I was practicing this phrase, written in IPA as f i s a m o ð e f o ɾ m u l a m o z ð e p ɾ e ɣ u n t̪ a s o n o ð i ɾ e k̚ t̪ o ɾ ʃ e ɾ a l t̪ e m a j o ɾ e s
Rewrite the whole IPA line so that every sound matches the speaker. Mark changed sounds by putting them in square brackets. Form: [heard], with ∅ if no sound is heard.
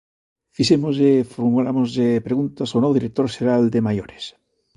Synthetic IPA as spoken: f i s [e] m o [z] e f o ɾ m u l a m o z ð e p ɾ e ɣ u n t̪ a s o n o ð i ɾ e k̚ t̪ o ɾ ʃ e ɾ a l [d̪] e m a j o ɾ e s